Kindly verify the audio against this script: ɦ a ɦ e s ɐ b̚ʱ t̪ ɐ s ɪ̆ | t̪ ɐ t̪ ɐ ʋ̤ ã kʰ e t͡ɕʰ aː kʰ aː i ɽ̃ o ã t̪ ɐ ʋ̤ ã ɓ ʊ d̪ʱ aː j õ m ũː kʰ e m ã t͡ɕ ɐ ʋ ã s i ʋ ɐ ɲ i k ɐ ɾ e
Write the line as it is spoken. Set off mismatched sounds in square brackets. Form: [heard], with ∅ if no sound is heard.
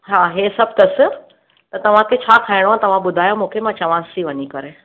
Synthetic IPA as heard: ɦ a ɦ e s ɐ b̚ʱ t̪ ɐ s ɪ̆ | t̪ ɐ t̪ ɐ ʋ̤ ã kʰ e t͡ɕʰ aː kʰ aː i ɽ̃ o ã t̪ ɐ ʋ̤ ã ɓ ʊ d̪ʱ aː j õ m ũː kʰ e m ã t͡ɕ ɐ ʋ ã s i ʋ ɐ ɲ i k ɐ ɾ e